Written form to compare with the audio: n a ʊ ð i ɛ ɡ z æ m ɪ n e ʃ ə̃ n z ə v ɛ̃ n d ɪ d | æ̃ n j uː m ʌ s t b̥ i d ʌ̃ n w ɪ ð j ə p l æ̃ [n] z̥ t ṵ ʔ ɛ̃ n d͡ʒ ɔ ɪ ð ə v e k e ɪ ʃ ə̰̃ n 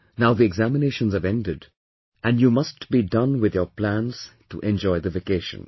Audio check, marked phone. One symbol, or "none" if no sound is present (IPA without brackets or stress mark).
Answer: n